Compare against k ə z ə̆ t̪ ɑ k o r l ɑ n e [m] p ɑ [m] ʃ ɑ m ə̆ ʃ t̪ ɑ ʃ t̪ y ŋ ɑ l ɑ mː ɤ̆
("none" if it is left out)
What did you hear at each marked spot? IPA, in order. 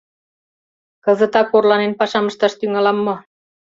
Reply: n, none

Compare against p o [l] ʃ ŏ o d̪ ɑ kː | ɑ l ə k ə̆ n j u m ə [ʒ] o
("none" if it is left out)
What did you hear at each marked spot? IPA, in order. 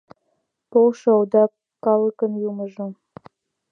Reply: l, ʒ

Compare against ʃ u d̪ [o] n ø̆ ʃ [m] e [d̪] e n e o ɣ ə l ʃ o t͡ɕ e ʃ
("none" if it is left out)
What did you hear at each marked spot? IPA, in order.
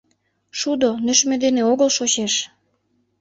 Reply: o, m, d̪

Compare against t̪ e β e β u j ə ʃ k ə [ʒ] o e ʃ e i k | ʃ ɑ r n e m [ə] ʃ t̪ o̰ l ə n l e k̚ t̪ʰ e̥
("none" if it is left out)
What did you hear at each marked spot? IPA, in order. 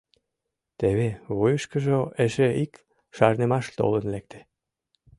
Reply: ʒ, ɑ

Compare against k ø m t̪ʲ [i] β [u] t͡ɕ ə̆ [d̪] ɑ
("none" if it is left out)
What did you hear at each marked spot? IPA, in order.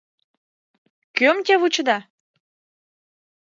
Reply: e, u, d̪

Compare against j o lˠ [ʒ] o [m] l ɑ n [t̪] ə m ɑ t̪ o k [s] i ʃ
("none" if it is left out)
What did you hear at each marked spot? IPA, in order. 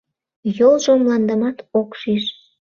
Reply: ʒ, m, d̪, ʃ

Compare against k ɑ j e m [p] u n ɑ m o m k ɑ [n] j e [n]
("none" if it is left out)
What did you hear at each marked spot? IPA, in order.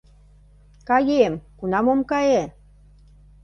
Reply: k, none, none

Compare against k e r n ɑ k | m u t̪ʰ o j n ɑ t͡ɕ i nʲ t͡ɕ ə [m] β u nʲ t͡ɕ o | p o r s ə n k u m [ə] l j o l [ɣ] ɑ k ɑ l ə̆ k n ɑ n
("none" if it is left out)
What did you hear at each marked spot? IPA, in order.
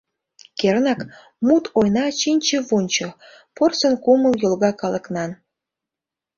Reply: none, ə, ɣ

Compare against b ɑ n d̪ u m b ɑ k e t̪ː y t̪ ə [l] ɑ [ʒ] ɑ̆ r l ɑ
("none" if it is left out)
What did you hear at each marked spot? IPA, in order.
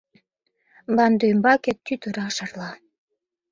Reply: ɾ, ʃ

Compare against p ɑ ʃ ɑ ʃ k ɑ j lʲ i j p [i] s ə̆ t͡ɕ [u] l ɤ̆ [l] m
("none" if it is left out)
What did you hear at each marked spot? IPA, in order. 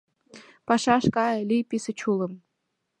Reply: i, u, none

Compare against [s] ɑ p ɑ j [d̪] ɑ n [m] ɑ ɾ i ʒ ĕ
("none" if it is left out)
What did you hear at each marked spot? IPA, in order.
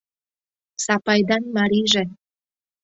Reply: s, d̪, m

